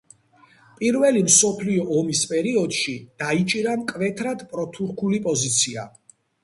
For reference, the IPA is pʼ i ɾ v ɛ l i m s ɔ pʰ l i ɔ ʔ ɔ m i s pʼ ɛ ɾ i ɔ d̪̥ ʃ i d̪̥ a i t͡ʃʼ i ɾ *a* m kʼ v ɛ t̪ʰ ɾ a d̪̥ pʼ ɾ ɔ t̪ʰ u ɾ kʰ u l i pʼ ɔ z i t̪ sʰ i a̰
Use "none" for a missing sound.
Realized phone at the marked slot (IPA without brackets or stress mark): a